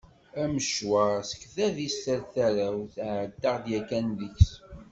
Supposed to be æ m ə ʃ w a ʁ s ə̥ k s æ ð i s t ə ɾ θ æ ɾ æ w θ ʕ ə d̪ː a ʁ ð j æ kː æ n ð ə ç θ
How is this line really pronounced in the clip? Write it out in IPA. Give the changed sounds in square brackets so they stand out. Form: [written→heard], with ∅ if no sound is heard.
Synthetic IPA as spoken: æ m ə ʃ w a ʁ s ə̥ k [s→θ] æ ð i s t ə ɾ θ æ ɾ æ w θ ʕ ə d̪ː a ʁ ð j æ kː æ n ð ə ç [θ→s]